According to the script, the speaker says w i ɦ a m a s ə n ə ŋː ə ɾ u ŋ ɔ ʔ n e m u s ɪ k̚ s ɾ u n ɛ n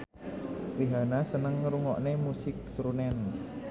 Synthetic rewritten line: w i ɦ a n a s ə n ə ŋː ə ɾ u ŋ ɔ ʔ n e m u s ɪ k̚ s ɾ u n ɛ n